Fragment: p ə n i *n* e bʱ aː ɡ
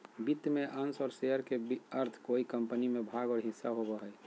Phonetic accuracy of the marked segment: incorrect: m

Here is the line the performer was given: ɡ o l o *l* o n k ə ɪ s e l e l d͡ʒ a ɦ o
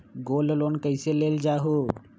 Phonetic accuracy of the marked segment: correct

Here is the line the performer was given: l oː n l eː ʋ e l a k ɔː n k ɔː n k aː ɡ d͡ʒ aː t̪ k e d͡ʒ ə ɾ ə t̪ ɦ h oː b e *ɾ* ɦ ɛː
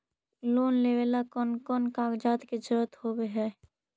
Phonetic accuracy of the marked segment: incorrect: none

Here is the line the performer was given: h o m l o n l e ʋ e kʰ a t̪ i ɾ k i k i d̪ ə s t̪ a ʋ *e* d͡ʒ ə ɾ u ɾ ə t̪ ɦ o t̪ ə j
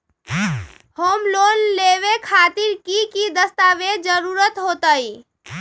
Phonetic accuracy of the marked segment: correct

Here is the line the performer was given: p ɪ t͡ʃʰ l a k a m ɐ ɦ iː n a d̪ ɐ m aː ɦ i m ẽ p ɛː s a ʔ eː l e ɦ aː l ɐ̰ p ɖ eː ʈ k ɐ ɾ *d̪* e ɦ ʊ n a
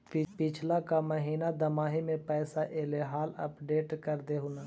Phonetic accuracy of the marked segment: correct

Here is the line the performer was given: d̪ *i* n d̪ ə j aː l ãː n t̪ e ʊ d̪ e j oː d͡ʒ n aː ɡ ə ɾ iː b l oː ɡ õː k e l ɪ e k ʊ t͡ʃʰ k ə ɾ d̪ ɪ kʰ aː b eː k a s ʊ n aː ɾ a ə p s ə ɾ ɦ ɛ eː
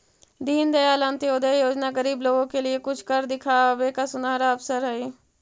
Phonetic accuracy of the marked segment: incorrect: iː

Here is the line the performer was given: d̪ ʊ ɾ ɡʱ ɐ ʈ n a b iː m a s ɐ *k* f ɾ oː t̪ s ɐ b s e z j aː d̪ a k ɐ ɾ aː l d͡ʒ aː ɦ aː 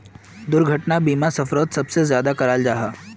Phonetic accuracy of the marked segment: incorrect: none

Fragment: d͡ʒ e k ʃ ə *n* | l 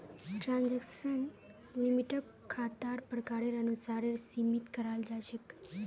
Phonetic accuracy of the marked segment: correct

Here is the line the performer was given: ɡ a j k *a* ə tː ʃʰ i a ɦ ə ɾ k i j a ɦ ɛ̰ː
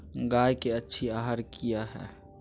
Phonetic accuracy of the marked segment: incorrect: e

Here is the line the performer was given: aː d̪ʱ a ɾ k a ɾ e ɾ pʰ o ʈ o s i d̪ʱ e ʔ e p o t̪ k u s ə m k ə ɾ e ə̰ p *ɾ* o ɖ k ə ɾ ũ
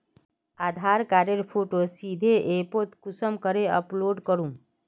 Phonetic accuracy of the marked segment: incorrect: l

